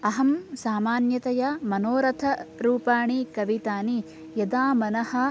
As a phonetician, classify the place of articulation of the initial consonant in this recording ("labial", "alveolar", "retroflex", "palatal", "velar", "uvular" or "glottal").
glottal